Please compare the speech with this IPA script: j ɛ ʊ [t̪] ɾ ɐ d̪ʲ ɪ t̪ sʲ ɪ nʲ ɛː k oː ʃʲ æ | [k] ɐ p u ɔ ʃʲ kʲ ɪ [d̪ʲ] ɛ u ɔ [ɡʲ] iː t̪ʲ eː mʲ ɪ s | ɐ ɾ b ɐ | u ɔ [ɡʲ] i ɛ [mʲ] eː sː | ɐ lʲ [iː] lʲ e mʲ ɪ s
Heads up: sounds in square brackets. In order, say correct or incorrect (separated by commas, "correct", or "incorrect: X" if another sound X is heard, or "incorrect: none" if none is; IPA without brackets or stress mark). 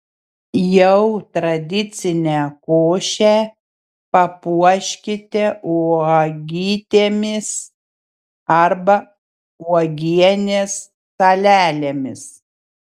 correct, incorrect: p, incorrect: t̪ʲ, correct, correct, incorrect: nʲ, incorrect: æː